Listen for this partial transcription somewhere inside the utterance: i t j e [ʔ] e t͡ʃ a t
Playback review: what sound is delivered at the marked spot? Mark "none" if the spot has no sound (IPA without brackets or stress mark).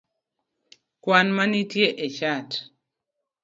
ʔ